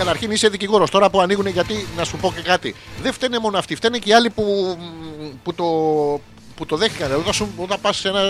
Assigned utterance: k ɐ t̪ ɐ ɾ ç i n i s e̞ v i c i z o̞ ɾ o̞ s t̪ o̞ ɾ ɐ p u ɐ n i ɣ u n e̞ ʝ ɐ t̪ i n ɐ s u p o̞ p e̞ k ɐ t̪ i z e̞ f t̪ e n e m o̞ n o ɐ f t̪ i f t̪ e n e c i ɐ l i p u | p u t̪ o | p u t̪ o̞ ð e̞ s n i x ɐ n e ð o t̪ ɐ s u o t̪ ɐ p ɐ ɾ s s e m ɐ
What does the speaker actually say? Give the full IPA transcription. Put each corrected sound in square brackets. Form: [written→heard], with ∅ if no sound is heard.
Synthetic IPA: k ɐ t̪ ɐ ɾ ç i n i s e̞ [v→ð] i c i [z→ɣ] o̞ ɾ o̞ s t̪ o̞ ɾ ɐ p u ɐ n i ɣ u n e̞ ʝ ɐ t̪ i n ɐ s u p o̞ [p→c] e̞ k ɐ t̪ i [z→ð] e̞ f t̪ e n e m o̞ n o ɐ f t̪ i f t̪ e n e c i ɐ l i p u | p u t̪ o | p u t̪ o̞ ð e̞ [s→x] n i [x→k] ɐ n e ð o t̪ ɐ s u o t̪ ɐ p ɐ [ɾ→∅] s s e [m→n] ɐ